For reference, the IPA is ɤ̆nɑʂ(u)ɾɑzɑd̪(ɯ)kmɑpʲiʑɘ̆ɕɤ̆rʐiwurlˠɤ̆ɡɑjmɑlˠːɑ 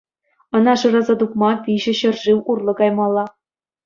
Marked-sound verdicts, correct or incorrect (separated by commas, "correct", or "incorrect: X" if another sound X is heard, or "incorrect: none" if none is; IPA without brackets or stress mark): incorrect: ɯ, incorrect: u